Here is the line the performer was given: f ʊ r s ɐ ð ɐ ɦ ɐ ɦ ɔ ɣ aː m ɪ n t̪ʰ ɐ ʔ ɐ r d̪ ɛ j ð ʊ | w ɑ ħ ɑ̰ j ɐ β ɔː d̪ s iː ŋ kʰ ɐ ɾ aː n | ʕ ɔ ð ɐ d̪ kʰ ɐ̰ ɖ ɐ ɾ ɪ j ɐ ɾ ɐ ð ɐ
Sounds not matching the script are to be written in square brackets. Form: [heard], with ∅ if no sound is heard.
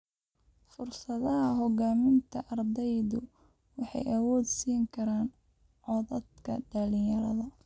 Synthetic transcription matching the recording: f ʊ r s ɐ ð ɐ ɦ ɐ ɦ ɔ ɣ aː m ɪ n t̪ʰ ɐ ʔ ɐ r d̪ ɛ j ð ʊ | w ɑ ħ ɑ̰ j ɐ [w] ɔː d̪ s iː ŋ kʰ ɐ ɾ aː n | ʕ ɔ ð ɐ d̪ kʰ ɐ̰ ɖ ɐ [l] ɪ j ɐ ɾ ɐ ð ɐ